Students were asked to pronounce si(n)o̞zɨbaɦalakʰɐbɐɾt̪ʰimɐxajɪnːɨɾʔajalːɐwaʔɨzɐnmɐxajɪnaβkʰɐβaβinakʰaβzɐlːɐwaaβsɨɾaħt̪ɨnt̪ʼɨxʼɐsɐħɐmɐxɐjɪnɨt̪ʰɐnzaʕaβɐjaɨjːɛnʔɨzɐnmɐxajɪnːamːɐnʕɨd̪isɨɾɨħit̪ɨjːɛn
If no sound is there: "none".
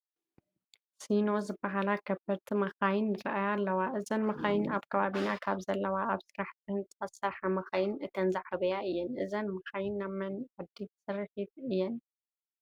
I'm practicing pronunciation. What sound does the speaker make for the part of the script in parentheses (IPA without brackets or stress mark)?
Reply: n